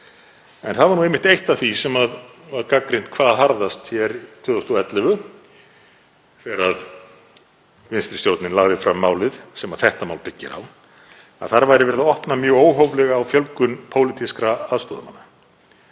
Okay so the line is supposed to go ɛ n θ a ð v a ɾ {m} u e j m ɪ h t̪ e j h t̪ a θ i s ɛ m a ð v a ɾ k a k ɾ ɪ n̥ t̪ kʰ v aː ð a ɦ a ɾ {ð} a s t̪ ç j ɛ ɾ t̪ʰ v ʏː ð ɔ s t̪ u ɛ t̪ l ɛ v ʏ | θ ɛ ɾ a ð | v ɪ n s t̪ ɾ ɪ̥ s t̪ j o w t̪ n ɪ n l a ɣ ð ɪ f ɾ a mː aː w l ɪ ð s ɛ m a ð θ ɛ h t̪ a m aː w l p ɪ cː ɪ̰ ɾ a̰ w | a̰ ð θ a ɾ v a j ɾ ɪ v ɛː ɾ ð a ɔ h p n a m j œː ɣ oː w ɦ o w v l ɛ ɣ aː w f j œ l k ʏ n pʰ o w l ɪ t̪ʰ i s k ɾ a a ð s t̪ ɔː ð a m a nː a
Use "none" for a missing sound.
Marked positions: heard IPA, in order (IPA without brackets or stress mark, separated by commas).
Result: n, ð